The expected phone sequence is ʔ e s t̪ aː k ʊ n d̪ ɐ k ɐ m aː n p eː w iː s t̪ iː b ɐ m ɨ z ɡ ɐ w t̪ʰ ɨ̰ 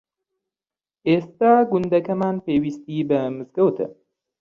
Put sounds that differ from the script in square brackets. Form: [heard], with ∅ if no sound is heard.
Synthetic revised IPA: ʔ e s t̪ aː [ɡ] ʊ n d̪ ɐ k ɐ m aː n p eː w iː s t̪ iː b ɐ m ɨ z ɡ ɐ w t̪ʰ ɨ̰